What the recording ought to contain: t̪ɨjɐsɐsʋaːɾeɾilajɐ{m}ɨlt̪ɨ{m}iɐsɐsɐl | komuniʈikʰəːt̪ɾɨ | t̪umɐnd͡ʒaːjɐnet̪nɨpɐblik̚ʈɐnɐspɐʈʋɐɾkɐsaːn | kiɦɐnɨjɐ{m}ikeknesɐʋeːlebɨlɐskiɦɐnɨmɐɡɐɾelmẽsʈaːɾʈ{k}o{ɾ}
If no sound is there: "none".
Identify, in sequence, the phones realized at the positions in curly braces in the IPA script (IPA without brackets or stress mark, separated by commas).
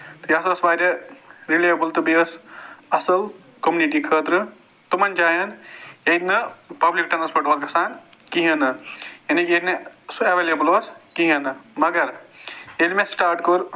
b, b, n, k, ɾ